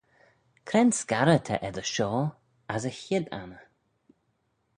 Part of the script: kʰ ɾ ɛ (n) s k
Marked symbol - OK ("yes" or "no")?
yes